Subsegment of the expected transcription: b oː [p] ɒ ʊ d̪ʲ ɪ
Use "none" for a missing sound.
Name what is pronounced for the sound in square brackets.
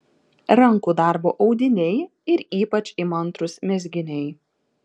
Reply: ʔ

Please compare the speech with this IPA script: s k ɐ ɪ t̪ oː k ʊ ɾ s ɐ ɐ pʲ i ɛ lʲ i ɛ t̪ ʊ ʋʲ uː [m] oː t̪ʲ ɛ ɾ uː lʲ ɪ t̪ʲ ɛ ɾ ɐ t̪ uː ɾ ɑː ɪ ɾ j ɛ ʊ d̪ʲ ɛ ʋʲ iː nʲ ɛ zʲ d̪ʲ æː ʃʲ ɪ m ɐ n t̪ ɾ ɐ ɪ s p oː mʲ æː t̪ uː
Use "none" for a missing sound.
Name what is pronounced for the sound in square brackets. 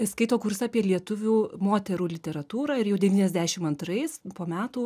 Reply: m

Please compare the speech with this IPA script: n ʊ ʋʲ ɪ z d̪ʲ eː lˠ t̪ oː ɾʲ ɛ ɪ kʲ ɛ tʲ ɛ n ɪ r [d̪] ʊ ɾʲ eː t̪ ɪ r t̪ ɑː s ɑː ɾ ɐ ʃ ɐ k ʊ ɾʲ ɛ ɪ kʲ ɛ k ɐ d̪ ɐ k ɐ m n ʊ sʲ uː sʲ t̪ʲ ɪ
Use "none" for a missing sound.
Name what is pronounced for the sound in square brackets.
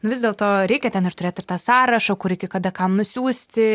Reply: t̪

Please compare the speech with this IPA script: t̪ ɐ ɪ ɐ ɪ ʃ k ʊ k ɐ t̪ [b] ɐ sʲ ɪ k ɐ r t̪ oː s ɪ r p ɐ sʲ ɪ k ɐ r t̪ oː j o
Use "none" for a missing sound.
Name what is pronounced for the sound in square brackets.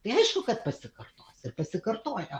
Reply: p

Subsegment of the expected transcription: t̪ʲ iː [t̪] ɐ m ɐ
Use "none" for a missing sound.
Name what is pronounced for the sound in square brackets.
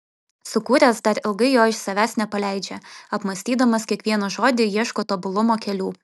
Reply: d̪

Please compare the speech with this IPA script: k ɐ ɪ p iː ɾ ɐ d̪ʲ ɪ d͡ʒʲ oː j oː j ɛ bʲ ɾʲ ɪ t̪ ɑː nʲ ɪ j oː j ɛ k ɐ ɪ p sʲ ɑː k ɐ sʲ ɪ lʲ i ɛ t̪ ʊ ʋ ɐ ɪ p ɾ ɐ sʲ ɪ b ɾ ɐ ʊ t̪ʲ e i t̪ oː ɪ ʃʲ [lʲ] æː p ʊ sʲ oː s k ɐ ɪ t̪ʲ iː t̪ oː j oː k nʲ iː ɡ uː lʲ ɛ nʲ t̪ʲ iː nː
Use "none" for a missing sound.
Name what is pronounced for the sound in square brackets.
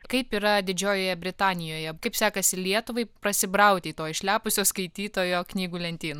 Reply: lʲ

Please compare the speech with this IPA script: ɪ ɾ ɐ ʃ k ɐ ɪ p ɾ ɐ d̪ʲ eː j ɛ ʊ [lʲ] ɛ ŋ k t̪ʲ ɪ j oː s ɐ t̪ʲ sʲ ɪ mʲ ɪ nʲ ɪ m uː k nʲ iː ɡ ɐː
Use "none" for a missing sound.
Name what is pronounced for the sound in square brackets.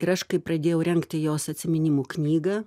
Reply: ɾʲ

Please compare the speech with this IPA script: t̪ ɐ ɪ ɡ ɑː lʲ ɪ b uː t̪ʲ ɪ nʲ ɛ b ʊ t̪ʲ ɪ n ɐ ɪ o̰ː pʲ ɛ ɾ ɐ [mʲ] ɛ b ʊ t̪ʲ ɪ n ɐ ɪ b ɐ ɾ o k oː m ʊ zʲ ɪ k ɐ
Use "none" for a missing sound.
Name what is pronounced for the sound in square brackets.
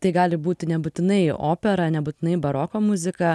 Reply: nʲ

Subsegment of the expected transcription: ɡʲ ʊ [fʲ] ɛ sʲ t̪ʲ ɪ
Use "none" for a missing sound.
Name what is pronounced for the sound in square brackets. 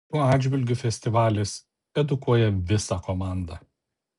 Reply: fʲ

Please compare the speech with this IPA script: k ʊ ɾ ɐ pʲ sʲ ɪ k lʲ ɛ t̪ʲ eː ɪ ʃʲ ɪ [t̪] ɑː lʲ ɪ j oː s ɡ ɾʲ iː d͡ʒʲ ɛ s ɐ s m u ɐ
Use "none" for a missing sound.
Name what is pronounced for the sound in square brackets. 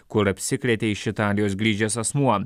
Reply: t̪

